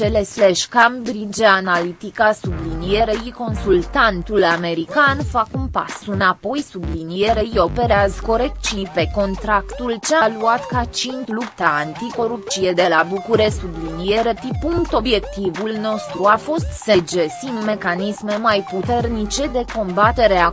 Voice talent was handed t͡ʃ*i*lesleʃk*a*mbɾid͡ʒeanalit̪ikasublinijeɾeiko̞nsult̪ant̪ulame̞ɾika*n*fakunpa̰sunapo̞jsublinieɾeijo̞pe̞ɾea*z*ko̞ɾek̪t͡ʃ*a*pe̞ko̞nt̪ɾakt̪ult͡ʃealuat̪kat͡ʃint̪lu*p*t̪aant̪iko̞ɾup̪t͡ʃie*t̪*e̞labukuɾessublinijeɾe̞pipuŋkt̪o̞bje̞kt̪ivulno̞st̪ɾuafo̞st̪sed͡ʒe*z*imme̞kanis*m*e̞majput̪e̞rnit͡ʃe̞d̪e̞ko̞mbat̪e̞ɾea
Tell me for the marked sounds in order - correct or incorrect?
incorrect: e, correct, correct, correct, incorrect: i, correct, incorrect: d̪, incorrect: s, correct

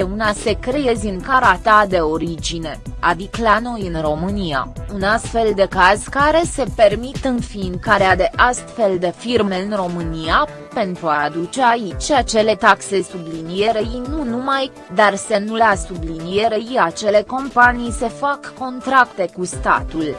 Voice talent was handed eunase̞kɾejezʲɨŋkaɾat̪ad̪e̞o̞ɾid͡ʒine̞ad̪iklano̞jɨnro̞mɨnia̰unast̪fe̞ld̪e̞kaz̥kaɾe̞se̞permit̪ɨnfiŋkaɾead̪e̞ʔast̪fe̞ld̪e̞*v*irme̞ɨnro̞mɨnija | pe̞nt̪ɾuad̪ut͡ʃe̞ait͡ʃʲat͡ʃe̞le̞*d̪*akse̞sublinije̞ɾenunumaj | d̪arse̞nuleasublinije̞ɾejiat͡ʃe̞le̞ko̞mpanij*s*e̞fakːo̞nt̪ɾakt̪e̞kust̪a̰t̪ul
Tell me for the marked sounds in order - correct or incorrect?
incorrect: f, incorrect: t̪, correct

